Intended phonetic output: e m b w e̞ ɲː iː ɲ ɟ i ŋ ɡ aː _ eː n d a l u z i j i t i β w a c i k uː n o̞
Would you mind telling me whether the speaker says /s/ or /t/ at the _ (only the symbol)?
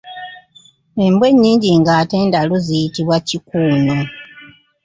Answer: t